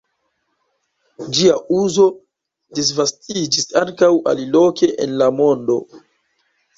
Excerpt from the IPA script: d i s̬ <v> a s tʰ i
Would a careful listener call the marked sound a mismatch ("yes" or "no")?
no